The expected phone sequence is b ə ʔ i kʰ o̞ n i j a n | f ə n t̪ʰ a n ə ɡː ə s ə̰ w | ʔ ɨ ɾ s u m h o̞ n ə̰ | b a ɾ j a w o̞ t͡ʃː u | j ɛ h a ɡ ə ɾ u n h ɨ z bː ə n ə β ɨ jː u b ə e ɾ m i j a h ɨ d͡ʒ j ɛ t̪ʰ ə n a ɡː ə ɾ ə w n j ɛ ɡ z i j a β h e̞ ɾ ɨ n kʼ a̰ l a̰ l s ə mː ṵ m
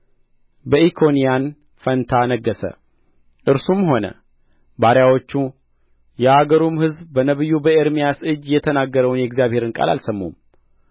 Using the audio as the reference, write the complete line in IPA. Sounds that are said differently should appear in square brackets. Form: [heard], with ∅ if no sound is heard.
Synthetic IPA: b ə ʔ i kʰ o̞ n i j a n | f ə n t̪ʰ a n ə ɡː ə s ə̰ [∅] | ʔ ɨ ɾ s u m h o̞ n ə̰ | b a ɾ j a w o̞ t͡ʃː u | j ɛ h a ɡ ə ɾ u [m] h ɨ z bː ə n ə β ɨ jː u b ə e ɾ m i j a [s] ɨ d͡ʒ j ɛ t̪ʰ ə n a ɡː ə ɾ ə w n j ɛ ɡ z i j a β h e̞ ɾ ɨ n kʼ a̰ l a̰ l s ə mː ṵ m